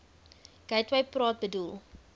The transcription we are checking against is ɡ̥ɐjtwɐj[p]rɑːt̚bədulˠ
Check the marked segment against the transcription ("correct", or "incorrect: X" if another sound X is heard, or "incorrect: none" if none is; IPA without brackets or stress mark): correct